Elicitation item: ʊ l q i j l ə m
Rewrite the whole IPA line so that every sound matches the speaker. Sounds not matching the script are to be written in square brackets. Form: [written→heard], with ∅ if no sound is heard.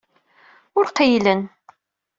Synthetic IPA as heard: ʊ [l→ɾ] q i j l ə [m→n]